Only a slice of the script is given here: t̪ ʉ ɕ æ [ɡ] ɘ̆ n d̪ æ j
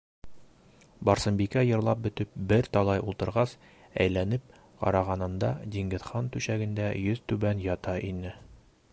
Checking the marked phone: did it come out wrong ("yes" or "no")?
no